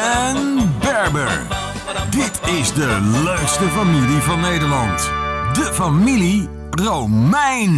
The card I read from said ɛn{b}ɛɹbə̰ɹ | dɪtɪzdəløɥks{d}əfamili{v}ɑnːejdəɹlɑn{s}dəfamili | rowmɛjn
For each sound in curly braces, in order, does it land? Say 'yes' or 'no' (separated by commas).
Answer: yes, no, yes, no